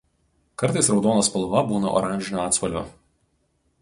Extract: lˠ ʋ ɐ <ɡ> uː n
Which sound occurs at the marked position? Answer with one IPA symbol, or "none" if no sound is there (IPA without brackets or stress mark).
b